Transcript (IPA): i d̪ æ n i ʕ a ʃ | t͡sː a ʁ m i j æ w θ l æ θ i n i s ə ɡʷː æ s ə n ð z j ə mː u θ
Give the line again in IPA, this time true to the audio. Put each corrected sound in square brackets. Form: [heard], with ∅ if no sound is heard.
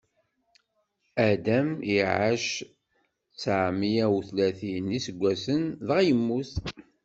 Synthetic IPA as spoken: [æ] d̪ æ [m] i ʕ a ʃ | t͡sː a [ʕ] m i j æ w θ l æ θ i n i s ə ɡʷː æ s ə n ð [ʁ] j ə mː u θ